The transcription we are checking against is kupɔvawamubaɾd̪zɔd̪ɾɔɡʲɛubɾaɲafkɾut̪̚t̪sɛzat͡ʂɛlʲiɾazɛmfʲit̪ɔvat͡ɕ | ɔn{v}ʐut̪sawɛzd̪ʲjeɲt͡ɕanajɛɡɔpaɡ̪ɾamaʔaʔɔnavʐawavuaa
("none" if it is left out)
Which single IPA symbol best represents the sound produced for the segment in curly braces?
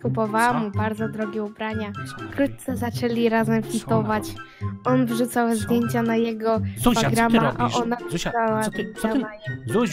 v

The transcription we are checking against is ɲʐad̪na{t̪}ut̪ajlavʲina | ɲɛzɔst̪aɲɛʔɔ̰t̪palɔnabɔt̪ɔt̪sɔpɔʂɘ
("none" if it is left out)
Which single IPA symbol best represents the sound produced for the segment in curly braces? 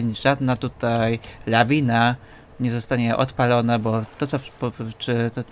t̪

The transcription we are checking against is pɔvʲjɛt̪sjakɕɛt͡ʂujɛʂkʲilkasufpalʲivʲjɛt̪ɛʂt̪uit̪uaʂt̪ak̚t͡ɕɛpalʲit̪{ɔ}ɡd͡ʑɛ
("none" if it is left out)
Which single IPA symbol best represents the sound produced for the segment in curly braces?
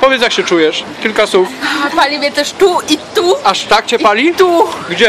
u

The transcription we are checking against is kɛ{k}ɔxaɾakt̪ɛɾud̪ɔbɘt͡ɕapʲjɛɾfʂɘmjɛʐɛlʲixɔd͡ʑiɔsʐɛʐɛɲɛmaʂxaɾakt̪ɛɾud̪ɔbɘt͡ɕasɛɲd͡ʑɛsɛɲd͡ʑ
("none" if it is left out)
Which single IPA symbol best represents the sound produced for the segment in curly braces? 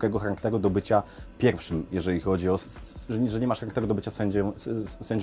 ɡ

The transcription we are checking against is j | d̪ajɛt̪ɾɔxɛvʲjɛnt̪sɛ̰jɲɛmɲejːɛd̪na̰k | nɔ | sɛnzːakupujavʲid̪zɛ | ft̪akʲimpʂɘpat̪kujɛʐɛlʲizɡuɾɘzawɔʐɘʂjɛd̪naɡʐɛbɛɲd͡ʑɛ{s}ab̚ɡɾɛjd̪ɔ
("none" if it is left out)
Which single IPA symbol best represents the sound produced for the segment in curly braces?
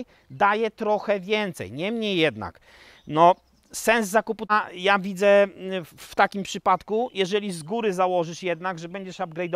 ʂ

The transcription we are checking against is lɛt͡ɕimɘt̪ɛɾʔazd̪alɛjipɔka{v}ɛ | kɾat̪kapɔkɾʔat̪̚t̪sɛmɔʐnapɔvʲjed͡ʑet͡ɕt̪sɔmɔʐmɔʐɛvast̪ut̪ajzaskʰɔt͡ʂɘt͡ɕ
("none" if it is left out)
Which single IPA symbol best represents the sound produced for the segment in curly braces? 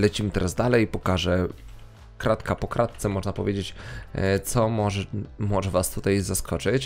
ʐ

